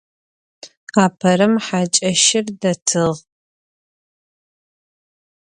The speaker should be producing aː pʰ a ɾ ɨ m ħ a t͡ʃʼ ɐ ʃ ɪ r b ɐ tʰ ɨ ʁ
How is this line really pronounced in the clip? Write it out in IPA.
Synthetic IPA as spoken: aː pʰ ɐ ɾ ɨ m ħ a t͡ʃʼ ɐ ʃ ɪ r d ɐ tʰ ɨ ʁ